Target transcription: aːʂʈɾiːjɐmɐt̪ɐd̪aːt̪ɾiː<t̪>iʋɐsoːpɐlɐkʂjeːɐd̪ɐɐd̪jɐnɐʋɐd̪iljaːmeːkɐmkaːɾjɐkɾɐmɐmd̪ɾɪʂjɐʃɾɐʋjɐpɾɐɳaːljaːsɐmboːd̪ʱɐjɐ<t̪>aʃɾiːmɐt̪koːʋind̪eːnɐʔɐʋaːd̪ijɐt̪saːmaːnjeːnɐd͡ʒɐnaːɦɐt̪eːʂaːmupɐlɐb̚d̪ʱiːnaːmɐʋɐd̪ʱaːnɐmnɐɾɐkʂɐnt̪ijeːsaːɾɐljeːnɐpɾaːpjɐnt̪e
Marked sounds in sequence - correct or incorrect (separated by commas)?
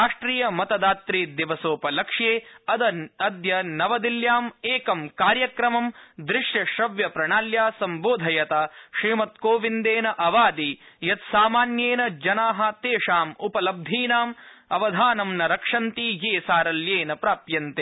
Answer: incorrect, correct